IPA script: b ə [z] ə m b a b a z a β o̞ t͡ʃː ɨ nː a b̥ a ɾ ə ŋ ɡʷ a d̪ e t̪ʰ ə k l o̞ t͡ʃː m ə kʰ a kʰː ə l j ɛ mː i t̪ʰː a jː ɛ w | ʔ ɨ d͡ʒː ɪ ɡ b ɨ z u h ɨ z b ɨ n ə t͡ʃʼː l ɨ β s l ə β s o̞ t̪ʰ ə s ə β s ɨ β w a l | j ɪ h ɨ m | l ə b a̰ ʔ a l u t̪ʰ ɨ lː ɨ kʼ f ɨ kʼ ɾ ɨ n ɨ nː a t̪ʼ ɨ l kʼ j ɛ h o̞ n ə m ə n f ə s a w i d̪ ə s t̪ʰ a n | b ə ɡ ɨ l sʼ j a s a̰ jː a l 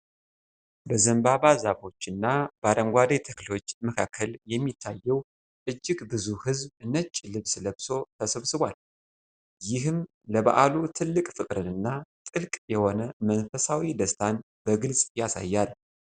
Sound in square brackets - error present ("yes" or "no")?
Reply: no